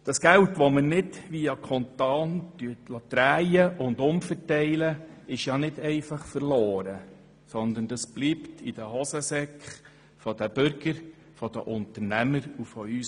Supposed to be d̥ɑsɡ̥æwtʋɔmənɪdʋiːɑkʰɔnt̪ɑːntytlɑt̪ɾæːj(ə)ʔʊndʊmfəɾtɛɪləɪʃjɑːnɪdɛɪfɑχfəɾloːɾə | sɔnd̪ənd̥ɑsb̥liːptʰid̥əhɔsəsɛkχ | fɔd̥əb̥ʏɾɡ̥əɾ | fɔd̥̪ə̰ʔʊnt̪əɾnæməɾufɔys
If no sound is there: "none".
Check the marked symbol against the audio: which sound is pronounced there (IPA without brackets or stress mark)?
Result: ə